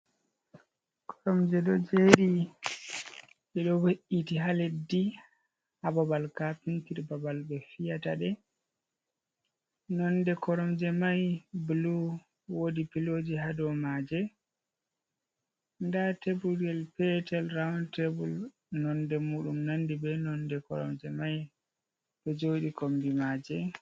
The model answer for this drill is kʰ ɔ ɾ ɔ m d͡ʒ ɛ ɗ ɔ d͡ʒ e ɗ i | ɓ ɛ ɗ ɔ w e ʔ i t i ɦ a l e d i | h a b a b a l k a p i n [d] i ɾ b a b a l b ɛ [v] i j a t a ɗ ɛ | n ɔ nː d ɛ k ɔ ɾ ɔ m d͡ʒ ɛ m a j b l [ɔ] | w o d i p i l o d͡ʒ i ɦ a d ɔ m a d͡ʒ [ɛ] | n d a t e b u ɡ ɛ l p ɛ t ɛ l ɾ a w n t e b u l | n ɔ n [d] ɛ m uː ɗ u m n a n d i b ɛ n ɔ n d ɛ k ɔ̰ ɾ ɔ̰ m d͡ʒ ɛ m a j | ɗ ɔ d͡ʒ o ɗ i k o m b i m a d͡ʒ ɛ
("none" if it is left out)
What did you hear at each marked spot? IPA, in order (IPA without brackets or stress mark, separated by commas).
t, f, u, ɛ, d